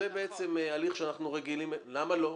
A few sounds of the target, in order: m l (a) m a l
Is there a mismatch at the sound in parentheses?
no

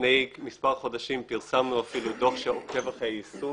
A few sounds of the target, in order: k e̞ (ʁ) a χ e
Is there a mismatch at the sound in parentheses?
yes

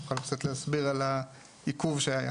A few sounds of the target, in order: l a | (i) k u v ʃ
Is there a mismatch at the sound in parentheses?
no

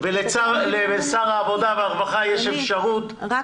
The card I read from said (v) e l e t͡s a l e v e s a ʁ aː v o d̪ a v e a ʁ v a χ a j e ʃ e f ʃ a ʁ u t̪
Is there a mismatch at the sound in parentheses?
no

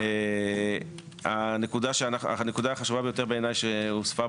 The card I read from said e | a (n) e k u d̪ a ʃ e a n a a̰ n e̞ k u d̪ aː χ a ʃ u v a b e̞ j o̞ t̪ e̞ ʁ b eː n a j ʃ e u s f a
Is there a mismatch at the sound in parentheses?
no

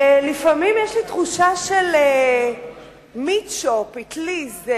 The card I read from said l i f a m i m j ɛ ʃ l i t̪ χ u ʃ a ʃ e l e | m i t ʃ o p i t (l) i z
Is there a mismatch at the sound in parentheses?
no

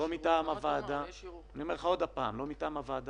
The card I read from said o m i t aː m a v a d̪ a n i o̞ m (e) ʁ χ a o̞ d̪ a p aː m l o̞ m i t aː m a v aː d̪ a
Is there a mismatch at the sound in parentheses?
no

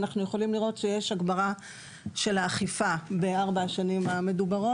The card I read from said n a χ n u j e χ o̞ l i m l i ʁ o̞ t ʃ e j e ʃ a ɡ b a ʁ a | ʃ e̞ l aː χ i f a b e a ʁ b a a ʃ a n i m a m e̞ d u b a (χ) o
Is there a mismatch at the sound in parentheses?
yes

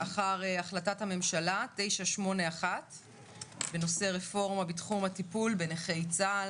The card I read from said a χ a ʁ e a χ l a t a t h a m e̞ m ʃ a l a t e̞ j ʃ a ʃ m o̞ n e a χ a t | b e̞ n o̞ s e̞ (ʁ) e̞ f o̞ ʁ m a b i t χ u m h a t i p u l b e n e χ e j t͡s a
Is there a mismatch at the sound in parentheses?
no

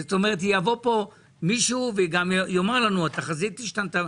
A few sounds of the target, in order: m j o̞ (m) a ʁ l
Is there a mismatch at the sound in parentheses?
no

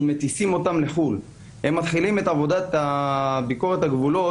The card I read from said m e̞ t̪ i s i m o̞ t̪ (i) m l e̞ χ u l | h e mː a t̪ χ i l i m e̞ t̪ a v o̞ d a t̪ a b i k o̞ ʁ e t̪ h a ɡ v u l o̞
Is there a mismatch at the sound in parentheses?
yes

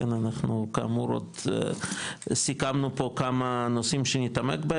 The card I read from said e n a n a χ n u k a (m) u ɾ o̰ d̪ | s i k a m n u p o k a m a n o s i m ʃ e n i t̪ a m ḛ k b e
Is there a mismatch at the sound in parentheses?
no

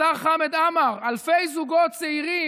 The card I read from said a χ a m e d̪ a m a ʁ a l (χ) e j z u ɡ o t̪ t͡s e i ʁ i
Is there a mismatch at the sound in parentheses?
yes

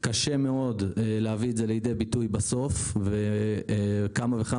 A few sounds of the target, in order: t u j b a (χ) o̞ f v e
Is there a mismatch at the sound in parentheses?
yes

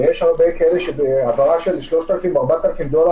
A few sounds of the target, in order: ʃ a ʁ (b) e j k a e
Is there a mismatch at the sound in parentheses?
no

